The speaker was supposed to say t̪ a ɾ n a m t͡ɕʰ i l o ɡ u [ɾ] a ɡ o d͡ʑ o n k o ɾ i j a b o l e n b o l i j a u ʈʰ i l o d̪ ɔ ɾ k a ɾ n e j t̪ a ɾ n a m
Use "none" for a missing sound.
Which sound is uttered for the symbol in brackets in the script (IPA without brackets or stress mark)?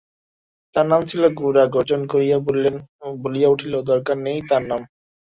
ɾ